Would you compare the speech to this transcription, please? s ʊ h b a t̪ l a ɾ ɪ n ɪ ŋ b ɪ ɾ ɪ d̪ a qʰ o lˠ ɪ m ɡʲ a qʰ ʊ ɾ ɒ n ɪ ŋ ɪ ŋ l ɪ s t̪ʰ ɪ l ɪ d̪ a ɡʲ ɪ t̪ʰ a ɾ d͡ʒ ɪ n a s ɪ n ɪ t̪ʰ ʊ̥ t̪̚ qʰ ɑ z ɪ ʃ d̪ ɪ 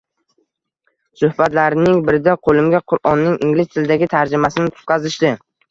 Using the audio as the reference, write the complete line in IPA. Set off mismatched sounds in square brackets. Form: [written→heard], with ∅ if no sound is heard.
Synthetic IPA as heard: s ʊ h b a t̪ l a ɾ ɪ n ɪ ŋ b ɪ ɾ ɪ d̪ a qʰ o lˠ ɪ m ɡʲ a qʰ ʊ ɾ ɒ [n→nː] ɪ ŋ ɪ ŋ l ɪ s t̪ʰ ɪ l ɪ d̪ a ɡʲ ɪ t̪ʰ a ɾ d͡ʒ ɪ [n→m] a s ɪ n ɪ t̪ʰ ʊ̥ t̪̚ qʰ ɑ z ɪ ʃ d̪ ɪ